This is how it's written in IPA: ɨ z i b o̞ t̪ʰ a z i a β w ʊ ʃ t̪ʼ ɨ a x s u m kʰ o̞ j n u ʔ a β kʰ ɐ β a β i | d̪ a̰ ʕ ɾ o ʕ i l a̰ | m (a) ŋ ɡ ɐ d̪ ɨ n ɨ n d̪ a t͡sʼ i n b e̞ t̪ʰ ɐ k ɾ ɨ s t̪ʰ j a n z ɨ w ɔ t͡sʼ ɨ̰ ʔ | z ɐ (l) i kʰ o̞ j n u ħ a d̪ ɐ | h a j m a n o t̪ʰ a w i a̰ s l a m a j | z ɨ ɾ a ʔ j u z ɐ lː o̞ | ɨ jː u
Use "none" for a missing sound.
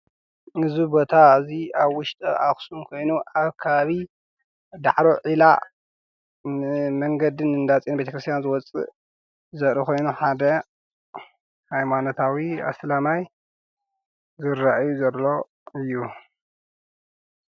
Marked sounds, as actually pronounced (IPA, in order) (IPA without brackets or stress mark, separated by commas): ɐ, ɾ